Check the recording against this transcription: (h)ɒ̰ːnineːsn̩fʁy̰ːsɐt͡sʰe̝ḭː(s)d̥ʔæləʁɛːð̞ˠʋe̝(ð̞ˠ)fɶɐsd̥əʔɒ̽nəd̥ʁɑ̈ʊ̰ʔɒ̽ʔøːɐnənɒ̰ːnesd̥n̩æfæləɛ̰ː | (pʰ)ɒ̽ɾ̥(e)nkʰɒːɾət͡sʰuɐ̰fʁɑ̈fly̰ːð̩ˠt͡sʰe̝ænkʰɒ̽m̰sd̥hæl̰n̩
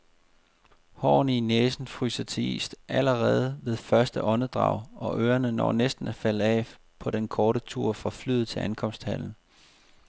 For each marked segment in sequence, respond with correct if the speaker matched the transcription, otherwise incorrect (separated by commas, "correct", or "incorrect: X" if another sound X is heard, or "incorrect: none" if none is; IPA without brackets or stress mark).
correct, correct, correct, correct, correct